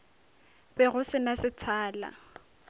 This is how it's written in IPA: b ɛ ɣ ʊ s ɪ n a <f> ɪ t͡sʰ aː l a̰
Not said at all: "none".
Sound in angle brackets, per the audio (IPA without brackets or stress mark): s